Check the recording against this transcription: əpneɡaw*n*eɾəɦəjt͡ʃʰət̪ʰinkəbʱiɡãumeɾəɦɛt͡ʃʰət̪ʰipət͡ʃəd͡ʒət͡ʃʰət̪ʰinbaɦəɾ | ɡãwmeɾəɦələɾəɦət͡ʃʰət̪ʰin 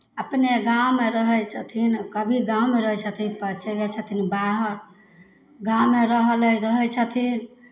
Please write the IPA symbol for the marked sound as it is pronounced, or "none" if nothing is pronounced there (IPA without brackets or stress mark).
m